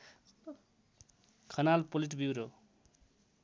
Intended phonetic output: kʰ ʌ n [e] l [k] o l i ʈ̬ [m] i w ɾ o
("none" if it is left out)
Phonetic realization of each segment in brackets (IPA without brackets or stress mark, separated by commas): a, p, b